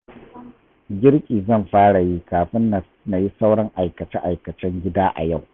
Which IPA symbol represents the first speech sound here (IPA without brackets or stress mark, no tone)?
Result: ɡʲ